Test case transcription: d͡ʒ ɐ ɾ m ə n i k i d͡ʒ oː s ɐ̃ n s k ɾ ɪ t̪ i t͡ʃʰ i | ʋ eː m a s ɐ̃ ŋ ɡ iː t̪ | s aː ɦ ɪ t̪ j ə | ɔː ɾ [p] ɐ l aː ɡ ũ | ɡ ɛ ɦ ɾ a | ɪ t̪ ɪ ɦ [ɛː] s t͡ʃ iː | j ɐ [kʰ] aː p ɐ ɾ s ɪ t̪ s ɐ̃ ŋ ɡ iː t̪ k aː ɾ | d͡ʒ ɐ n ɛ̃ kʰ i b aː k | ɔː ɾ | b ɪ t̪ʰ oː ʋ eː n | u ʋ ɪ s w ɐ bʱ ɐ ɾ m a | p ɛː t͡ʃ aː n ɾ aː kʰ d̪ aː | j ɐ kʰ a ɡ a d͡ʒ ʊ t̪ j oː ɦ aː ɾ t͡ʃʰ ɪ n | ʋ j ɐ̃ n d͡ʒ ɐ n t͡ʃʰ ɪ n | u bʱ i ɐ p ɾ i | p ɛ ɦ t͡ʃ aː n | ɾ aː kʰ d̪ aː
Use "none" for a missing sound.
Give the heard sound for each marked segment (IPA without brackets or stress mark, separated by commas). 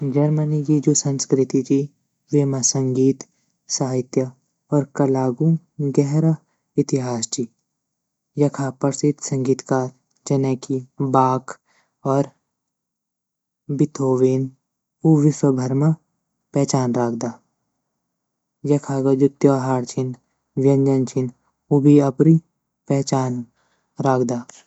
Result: k, aː, kʰ